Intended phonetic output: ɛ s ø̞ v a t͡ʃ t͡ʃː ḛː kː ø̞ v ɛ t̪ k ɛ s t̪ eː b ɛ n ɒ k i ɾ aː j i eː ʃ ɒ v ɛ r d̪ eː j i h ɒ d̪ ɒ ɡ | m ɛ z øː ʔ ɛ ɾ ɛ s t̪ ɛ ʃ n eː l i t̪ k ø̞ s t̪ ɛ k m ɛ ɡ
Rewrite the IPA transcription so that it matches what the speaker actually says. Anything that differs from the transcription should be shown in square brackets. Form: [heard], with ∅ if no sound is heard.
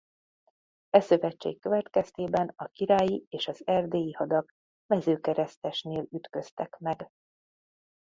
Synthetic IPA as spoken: ɛ s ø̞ v [ɛ] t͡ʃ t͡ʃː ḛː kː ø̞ v ɛ t̪ k ɛ s t̪ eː b ɛ n ɒ k i ɾ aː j i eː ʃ ɒ [z] ɛ r d̪ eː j i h ɒ d̪ ɒ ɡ | m ɛ z øː [k] ɛ ɾ ɛ s t̪ ɛ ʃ n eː l [y] t̪ k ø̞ s t̪ ɛ k m ɛ ɡ